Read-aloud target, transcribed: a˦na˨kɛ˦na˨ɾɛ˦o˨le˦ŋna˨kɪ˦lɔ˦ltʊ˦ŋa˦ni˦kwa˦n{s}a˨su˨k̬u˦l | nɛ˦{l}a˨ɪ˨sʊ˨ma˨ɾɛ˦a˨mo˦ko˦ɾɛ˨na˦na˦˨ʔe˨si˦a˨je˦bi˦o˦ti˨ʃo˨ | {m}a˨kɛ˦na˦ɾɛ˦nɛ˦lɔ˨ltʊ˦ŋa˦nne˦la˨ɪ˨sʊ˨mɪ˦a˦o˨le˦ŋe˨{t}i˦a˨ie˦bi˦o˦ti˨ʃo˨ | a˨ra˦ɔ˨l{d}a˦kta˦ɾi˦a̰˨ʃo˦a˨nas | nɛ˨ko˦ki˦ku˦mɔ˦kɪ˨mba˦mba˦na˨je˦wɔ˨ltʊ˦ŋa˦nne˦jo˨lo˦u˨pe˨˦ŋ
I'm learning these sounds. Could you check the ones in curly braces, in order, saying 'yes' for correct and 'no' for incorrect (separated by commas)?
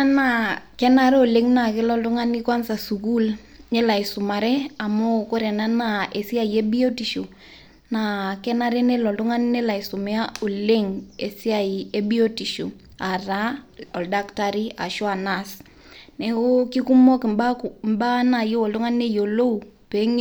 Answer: yes, yes, no, no, yes